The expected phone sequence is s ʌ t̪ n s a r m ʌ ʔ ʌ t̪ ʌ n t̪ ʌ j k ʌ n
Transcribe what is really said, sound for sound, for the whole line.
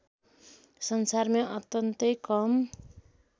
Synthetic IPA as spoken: s ʌ n s a r m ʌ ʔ ʌ t̪ ʌ n t̪ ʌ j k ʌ m